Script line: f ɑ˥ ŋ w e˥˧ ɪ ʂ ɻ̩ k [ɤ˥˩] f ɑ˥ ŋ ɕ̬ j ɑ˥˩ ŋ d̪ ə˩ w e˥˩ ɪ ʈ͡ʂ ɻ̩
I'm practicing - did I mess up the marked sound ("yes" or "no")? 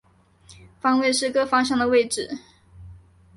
yes